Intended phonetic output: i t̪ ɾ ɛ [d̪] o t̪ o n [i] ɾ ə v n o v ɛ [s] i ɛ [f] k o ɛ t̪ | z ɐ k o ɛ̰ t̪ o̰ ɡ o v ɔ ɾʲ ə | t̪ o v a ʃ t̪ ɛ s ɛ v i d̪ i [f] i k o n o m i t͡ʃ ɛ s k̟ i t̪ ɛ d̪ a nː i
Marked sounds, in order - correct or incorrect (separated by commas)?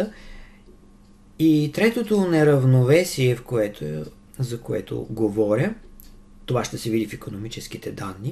incorrect, incorrect, correct, correct, correct